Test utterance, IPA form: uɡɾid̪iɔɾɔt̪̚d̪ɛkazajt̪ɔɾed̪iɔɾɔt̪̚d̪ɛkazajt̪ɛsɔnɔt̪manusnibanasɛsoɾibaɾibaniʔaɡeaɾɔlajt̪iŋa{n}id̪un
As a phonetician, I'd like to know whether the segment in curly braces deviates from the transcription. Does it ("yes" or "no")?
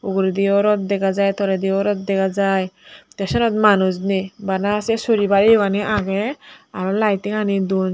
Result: no